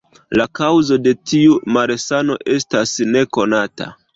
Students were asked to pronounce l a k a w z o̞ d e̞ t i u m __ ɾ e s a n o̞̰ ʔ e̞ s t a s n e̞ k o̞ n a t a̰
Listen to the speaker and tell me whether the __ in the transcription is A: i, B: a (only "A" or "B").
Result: B